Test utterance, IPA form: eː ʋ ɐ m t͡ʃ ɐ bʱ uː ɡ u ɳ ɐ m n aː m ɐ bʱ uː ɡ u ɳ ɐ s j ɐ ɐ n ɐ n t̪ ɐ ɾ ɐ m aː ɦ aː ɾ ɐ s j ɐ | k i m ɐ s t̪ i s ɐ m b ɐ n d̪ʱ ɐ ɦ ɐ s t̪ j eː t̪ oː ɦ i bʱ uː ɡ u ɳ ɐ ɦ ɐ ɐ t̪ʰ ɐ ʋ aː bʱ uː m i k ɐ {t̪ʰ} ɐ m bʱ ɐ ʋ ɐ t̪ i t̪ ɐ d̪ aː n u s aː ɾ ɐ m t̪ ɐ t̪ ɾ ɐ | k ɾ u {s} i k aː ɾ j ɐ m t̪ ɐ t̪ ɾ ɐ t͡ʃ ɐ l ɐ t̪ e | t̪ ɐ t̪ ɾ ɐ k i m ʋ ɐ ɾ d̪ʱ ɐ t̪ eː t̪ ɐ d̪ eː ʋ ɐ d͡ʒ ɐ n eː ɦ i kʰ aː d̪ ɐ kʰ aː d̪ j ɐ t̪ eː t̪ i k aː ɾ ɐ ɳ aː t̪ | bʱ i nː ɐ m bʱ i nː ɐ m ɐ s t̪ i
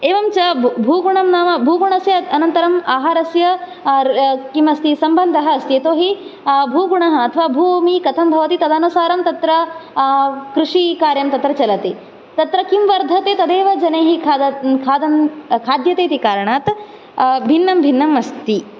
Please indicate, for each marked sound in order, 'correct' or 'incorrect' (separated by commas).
correct, incorrect